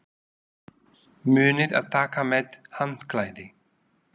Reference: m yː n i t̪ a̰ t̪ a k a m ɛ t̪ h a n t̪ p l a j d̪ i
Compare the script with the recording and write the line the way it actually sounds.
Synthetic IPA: m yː n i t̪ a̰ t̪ a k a m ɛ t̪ h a n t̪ k l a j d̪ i